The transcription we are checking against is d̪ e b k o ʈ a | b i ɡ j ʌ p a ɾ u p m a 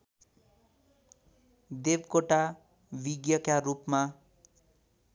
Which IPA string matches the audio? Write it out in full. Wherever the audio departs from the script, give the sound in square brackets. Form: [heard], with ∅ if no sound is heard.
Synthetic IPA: d̪ e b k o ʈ a | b i ɡ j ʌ [k] a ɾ u p m a